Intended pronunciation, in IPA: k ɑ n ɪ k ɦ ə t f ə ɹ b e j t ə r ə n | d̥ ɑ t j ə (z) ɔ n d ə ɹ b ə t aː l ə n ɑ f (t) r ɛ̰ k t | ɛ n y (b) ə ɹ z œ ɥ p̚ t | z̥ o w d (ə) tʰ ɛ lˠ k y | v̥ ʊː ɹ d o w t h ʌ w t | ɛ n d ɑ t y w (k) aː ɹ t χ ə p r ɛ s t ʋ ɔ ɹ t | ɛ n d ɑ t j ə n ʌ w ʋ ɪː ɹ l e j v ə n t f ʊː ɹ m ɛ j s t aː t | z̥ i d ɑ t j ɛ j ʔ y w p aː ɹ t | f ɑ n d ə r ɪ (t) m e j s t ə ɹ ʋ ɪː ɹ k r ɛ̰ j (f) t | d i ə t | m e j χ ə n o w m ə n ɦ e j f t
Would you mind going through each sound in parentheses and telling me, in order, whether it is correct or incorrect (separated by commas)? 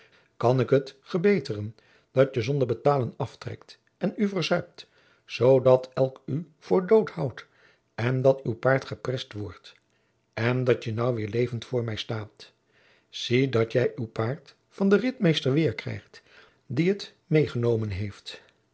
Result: correct, correct, incorrect, incorrect, incorrect, correct, incorrect